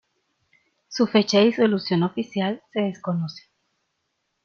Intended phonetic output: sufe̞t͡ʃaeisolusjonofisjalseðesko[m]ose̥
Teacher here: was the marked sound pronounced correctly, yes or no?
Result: no